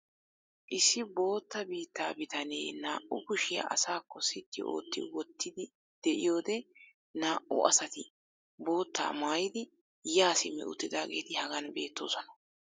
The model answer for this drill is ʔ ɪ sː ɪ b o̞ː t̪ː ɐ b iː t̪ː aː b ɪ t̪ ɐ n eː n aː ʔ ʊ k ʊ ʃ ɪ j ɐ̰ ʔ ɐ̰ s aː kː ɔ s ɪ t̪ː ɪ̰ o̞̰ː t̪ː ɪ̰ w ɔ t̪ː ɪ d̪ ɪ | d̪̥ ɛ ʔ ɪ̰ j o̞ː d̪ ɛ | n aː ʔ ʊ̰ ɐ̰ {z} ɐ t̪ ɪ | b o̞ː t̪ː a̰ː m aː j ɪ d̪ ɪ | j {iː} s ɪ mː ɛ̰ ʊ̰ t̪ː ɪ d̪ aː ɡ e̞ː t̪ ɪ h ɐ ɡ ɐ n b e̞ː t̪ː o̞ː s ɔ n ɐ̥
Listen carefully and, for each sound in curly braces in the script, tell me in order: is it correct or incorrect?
incorrect, incorrect

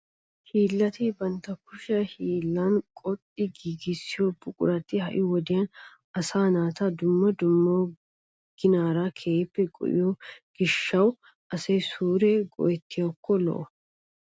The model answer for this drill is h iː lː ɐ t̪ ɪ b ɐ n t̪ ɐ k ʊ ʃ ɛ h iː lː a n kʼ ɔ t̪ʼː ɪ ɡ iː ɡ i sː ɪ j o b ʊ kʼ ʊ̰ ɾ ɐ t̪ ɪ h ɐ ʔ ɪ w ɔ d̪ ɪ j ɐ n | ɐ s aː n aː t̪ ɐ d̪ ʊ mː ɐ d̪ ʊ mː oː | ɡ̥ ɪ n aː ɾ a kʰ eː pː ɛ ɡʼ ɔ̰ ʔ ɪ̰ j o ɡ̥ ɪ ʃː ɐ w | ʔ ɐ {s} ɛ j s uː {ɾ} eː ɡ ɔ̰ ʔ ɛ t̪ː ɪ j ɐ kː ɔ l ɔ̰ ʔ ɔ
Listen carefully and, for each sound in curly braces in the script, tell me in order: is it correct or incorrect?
correct, correct

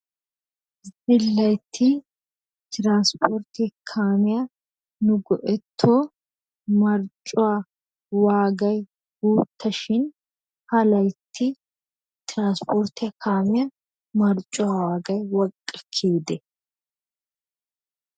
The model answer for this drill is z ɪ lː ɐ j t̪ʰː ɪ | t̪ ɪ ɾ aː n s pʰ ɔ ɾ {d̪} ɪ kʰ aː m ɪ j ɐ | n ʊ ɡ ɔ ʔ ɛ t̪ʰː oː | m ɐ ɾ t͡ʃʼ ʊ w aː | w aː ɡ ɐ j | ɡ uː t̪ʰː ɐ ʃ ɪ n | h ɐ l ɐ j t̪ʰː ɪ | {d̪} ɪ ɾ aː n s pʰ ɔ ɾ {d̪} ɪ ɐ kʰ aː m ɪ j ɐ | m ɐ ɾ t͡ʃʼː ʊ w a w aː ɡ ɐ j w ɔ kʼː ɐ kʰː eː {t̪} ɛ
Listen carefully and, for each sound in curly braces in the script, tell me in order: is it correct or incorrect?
incorrect, incorrect, incorrect, incorrect

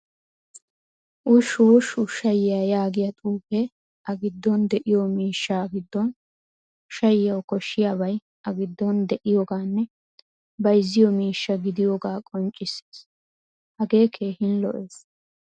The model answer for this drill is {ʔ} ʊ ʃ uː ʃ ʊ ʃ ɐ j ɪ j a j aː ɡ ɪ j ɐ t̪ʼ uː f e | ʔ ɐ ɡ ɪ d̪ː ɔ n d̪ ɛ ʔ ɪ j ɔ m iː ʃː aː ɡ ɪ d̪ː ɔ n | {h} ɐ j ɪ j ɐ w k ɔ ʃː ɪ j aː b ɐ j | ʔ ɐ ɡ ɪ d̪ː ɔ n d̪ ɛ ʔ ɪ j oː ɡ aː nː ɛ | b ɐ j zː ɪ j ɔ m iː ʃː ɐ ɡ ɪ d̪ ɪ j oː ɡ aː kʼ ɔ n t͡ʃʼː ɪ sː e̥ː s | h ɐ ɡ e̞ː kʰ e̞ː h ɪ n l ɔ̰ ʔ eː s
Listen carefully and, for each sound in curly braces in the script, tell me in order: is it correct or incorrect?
correct, incorrect

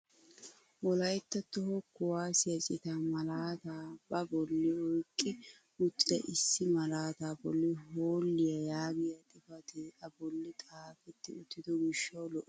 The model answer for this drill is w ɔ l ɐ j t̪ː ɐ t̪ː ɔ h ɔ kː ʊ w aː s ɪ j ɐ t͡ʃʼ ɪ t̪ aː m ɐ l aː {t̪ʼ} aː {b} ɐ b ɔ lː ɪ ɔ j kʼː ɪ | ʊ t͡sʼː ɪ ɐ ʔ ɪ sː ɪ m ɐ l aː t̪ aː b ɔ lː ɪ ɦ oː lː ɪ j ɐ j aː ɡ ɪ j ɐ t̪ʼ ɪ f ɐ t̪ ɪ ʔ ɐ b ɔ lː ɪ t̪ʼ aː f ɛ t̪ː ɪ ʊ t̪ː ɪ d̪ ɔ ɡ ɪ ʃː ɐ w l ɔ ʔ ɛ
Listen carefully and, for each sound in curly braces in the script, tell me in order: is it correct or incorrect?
incorrect, correct

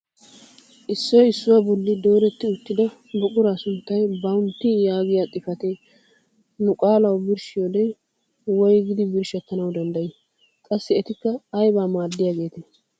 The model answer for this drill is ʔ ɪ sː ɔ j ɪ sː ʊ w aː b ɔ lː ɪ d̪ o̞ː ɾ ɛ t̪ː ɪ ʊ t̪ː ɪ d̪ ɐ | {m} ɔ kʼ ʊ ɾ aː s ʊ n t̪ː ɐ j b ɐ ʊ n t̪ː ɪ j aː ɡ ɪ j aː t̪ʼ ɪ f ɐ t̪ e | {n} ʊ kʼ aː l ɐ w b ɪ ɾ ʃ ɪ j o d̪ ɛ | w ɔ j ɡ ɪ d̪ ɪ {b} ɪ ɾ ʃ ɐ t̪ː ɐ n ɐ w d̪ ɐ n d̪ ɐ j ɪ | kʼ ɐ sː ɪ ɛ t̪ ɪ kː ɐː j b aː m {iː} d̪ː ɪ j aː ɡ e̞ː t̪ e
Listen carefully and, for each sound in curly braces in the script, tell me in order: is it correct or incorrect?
incorrect, correct, correct, incorrect

